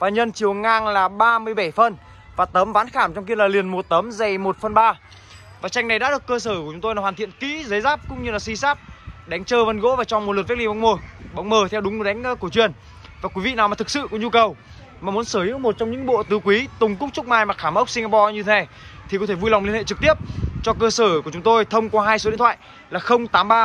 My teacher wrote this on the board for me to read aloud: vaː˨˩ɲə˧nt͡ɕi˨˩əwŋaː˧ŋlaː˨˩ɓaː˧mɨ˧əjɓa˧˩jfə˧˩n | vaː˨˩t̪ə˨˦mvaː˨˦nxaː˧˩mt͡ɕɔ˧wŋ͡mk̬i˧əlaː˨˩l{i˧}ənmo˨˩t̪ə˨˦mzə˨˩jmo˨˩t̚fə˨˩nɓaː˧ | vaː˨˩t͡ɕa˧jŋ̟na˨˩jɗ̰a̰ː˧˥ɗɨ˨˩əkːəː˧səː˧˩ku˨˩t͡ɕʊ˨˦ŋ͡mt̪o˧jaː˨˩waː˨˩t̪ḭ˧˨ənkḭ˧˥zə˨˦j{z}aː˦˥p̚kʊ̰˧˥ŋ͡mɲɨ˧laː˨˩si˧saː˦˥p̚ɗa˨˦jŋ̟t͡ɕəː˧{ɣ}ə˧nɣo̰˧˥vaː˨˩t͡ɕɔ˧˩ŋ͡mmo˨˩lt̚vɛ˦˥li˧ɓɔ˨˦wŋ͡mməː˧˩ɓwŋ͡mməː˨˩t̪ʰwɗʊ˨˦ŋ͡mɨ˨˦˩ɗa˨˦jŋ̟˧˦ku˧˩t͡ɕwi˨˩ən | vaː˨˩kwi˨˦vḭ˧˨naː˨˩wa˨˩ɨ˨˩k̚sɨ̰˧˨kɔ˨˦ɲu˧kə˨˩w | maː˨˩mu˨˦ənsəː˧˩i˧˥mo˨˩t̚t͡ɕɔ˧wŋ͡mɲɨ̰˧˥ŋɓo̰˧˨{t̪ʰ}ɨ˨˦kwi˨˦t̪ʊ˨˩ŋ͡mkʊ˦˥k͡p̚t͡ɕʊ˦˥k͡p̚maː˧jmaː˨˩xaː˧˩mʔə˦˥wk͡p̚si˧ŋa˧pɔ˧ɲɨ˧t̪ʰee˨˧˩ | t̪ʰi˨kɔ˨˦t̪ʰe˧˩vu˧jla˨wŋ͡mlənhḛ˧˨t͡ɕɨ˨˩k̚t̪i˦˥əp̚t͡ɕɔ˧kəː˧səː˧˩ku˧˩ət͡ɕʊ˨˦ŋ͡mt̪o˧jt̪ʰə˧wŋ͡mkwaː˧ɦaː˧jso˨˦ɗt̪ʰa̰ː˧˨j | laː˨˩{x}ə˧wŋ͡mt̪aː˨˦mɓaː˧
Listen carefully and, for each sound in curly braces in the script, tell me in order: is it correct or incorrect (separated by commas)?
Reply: incorrect, correct, incorrect, incorrect, correct